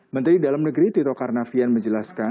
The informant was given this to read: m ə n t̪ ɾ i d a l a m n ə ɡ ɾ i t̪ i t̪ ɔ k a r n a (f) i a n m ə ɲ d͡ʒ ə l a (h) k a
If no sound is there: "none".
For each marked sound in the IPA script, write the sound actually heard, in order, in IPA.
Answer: f, s

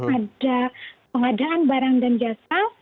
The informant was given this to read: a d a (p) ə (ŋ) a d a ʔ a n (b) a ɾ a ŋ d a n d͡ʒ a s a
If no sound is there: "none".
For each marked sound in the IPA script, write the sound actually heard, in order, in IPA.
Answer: p, ŋ, b

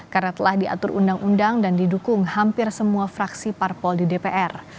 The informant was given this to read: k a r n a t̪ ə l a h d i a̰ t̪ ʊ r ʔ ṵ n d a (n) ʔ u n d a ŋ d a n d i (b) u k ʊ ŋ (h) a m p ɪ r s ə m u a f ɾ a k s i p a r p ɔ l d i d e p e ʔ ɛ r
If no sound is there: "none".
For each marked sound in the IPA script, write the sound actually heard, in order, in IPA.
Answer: ŋ, d, h

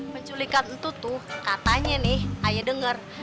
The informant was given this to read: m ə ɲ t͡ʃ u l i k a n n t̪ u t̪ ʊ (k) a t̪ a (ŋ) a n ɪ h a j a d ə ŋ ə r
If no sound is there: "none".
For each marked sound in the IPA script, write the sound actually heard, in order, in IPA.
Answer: k, ɲ

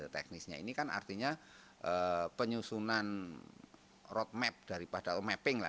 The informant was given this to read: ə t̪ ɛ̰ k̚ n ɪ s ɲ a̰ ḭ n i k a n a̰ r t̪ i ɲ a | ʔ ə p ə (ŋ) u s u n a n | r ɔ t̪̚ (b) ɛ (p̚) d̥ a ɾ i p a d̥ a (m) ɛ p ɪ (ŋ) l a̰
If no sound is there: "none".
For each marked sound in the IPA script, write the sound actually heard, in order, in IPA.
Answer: ɲ, m, p̚, m, ŋ

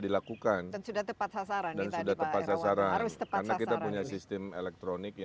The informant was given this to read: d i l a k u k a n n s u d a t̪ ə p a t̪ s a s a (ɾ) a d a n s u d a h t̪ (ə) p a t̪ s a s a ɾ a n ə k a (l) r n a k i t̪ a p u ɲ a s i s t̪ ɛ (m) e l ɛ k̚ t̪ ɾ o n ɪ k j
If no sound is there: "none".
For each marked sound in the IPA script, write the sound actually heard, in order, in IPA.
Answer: ɾ, ə, none, m

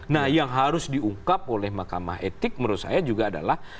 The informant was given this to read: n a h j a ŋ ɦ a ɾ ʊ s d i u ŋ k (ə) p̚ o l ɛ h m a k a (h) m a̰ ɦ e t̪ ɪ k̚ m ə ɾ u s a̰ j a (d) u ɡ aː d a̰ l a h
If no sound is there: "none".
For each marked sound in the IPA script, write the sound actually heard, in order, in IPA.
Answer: a, none, d͡ʒ

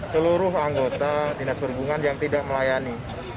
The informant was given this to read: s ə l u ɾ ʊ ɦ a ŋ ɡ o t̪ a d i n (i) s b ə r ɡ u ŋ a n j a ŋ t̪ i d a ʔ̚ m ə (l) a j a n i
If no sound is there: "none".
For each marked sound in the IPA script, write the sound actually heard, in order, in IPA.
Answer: a, l

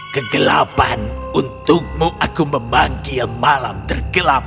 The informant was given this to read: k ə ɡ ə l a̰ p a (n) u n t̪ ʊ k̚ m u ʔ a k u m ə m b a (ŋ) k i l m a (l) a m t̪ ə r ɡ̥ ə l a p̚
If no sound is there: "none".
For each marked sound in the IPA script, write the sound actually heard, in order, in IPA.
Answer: n, ŋ, l

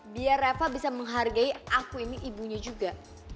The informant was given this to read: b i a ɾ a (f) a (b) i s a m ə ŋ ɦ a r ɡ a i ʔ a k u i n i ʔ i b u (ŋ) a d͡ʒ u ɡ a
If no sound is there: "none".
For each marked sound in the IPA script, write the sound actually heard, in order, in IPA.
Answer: f, b, ɲ

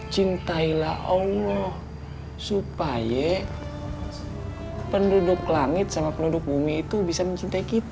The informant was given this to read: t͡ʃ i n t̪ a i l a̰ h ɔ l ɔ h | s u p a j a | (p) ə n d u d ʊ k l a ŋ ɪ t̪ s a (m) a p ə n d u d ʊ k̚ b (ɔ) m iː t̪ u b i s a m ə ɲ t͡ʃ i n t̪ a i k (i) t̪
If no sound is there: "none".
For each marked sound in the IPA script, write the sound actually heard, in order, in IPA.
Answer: p, m, u, i

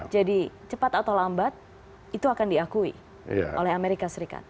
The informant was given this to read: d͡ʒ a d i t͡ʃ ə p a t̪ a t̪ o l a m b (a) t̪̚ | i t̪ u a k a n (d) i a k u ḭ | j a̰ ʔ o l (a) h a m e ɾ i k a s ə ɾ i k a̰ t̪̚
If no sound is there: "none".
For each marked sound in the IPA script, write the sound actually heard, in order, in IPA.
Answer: a, d, ɛ

